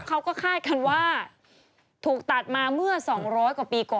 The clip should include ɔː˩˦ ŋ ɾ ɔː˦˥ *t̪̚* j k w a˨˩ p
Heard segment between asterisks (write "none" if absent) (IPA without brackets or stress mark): none